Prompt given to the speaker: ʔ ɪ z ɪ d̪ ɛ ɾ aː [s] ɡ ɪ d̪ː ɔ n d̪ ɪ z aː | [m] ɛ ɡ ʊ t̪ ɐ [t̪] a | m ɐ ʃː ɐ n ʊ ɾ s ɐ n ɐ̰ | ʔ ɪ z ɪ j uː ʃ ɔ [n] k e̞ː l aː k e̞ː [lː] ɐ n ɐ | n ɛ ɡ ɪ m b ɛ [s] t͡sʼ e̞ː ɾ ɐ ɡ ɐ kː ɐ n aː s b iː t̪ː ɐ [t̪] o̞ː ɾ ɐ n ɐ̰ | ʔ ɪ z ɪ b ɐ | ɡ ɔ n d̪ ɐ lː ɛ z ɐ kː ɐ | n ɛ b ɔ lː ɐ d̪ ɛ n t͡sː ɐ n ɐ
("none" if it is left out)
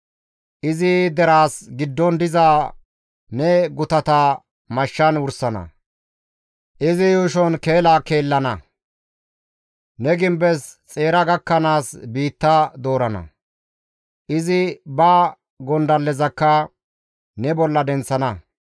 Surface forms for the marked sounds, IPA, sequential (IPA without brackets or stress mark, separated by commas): s, n, t̪, n, lː, s, d̪